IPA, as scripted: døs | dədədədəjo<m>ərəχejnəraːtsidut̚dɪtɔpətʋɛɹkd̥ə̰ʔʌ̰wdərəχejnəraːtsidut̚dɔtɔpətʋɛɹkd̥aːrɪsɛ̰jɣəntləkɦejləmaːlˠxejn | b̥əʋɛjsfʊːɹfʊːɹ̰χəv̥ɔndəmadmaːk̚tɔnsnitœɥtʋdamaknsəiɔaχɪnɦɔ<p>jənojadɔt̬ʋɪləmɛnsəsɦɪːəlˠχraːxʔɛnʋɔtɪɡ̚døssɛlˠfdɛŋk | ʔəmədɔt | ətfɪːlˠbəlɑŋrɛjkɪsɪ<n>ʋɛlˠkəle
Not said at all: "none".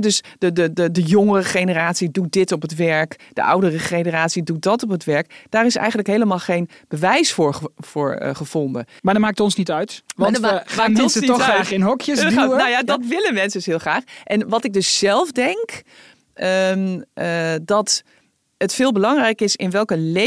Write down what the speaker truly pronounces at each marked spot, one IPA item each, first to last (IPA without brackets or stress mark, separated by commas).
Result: ŋ, k, n